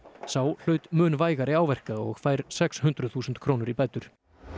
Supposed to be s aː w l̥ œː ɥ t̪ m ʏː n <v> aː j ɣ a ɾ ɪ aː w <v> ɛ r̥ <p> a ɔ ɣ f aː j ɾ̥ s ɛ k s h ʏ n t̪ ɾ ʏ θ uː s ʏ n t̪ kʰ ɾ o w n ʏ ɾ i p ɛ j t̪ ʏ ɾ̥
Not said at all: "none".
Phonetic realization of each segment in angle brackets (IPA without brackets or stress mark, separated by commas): v, v, k